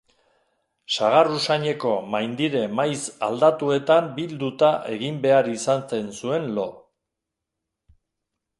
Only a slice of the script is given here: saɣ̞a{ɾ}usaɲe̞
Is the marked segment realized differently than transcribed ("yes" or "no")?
yes